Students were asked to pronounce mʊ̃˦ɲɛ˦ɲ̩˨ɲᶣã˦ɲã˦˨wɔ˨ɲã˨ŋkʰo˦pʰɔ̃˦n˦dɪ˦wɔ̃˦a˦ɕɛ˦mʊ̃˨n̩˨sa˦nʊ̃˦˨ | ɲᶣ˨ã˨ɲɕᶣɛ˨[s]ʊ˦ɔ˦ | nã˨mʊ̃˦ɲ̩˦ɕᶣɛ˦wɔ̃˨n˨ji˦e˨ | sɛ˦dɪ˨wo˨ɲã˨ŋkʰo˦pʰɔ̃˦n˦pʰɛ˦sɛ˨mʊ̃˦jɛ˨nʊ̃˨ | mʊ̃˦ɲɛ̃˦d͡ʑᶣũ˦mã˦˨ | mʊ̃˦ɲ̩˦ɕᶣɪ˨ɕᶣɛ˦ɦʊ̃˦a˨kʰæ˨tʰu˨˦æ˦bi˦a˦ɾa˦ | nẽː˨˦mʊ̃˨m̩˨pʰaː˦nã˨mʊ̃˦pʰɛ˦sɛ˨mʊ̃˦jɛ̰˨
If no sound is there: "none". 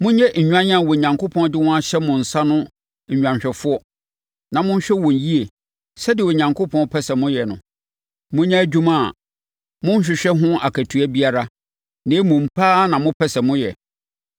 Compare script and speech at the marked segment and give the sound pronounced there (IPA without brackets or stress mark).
f